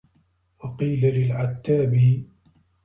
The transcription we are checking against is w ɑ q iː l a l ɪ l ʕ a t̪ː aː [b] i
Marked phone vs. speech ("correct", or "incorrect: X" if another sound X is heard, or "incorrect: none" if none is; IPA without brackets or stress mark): correct